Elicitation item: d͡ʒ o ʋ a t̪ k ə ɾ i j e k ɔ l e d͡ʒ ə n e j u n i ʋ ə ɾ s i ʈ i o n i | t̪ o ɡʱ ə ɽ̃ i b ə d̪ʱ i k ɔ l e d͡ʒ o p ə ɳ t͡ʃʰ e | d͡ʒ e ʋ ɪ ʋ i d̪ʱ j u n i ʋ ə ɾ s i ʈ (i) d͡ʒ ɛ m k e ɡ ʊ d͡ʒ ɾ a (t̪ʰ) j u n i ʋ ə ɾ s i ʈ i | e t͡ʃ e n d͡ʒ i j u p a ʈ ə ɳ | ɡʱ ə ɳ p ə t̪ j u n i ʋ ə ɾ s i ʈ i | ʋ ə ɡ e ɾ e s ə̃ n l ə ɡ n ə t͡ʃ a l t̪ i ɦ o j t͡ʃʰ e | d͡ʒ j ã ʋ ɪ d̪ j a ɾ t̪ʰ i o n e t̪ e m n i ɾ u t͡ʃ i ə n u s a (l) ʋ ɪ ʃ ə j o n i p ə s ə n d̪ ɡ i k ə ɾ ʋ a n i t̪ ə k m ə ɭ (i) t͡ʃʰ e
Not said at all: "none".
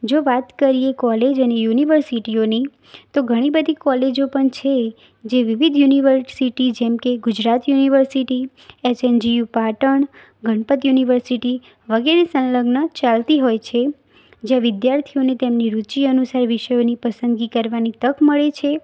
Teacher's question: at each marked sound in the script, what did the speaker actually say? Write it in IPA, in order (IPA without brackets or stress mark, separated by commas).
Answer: i, t̪, ɾ, e